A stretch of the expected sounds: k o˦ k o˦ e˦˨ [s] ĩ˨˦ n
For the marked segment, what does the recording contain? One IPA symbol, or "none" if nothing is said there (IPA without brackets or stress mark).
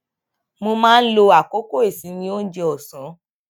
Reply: s